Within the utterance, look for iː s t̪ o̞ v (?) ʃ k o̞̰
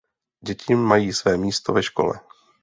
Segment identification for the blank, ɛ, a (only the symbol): ɛ